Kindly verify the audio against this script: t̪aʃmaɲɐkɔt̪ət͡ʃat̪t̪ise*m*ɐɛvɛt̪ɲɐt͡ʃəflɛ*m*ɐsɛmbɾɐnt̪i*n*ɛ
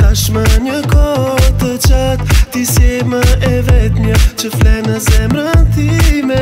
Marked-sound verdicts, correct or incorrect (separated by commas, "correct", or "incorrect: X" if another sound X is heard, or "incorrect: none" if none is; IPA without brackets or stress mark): correct, incorrect: n, incorrect: m